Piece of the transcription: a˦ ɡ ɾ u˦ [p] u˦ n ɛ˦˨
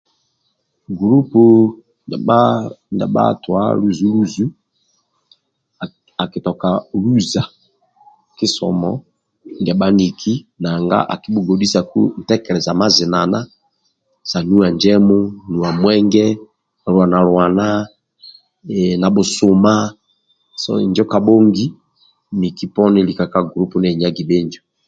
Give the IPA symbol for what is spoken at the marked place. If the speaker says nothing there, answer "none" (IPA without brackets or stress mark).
p